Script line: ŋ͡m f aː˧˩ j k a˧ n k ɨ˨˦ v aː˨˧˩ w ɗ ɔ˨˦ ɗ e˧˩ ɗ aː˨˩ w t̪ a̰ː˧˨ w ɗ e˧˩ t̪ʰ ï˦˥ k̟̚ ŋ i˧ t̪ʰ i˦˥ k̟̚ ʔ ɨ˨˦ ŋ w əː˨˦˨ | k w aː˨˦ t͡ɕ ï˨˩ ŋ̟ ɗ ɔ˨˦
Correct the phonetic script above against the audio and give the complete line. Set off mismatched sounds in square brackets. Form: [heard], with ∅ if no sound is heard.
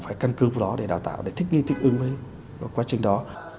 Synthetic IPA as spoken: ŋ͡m f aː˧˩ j k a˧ n k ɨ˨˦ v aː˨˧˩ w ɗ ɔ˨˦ ɗ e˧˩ ɗ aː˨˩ w t̪ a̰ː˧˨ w ɗ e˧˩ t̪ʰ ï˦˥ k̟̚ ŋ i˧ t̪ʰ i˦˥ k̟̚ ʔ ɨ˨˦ ŋ [v] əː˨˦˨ | k w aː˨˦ t͡ɕ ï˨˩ ŋ̟ ɗ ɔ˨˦